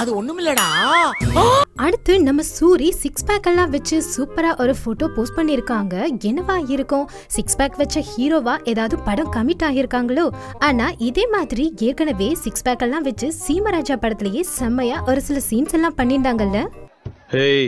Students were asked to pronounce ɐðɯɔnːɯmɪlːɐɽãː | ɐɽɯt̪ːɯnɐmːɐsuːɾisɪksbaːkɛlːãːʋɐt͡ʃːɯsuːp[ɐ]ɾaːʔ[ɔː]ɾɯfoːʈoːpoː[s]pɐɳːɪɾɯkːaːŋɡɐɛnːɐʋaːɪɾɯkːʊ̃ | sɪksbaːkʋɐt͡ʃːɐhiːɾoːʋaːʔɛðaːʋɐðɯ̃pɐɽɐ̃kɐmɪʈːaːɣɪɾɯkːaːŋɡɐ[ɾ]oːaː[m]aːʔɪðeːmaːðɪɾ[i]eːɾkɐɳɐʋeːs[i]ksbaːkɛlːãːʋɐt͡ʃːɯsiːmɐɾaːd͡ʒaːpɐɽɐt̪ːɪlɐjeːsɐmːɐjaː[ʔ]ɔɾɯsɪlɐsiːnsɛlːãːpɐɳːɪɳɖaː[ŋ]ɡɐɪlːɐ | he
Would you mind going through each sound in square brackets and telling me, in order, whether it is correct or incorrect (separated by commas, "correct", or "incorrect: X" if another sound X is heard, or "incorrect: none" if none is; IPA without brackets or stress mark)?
correct, incorrect: ɔ, correct, incorrect: ɭ, incorrect: n, correct, incorrect: ɪ, correct, correct